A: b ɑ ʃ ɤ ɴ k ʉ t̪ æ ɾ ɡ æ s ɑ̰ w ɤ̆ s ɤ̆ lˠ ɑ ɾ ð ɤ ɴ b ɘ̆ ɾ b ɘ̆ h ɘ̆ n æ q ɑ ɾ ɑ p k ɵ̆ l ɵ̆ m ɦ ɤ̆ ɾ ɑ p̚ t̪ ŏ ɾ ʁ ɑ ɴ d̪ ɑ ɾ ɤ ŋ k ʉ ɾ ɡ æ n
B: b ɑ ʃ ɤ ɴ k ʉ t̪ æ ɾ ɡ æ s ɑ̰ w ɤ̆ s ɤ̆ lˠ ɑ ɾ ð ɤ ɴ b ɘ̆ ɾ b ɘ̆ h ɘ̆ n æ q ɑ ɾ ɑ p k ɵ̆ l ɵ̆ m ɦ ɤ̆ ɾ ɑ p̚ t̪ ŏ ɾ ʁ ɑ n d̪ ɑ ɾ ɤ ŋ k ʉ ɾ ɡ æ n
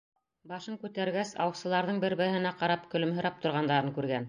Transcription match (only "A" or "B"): B